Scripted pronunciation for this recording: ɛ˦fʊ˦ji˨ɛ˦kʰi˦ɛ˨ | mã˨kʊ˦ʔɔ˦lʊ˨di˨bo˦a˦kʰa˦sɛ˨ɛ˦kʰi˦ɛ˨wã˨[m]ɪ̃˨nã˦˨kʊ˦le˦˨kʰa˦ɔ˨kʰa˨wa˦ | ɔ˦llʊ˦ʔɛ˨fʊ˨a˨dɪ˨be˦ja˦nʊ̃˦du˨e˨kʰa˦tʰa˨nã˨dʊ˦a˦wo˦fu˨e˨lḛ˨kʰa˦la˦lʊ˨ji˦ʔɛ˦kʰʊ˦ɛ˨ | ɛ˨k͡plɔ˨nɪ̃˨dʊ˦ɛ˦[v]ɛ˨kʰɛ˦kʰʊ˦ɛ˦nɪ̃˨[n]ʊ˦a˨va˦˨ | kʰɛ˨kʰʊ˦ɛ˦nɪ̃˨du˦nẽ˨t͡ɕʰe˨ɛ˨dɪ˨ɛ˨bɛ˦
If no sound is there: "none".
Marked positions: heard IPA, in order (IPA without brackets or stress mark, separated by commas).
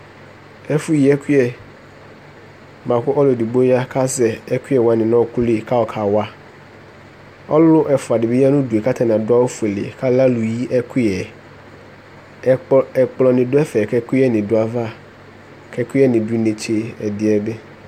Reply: n, f, d